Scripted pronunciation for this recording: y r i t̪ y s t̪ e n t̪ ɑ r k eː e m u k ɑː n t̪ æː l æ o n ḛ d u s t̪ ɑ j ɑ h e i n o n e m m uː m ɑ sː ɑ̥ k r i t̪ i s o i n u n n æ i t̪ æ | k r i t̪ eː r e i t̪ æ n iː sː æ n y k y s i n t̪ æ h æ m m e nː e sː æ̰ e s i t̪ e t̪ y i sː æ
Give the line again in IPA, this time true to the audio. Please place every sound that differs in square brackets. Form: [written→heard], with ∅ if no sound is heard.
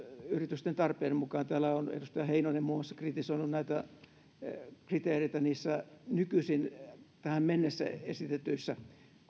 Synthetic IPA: y r i t̪ y s t̪ e n t̪ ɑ r [k→p] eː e m u k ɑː n t̪ æː l æ o n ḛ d u s t̪ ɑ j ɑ h e i n o n e m m uː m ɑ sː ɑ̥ k r i t̪ i s o i n u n n æ i t̪ æ | k r i t̪ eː r e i t̪ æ n iː sː æ n y k y s i n t̪ æ h æ m m e nː e sː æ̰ e s i t̪ e t̪ y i sː æ